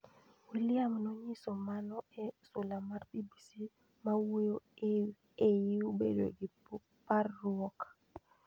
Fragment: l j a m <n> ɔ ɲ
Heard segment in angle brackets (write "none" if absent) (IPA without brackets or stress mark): n